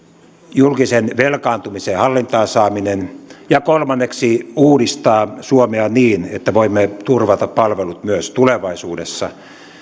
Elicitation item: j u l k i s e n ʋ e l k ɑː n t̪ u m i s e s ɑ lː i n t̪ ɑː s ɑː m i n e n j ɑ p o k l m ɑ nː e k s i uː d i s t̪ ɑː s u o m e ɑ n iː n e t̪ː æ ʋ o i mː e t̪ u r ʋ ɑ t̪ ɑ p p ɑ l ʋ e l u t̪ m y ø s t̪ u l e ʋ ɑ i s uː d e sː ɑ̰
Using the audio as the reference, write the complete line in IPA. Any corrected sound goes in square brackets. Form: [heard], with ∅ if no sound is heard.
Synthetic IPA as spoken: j u l k i s e n ʋ e l k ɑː n t̪ u m i s e [h] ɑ lː i n t̪ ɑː s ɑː m i n e n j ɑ [k] o [∅] l m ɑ nː e k s i uː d i s t̪ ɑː s u o m e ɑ n iː n e t̪ː æ ʋ o i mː e t̪ u r ʋ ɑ t̪ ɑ p p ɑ l ʋ e l u t̪ m y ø s t̪ u l e ʋ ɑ i s uː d e sː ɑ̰